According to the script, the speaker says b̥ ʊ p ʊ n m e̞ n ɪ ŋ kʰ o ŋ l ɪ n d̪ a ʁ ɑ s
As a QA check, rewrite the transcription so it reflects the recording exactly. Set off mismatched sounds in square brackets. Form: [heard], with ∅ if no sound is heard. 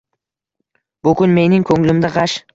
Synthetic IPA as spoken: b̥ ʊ [k] ʊ n m e̞ n ɪ ŋ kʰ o ŋ l ɪ [m] d̪ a ʁ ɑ [ʃ]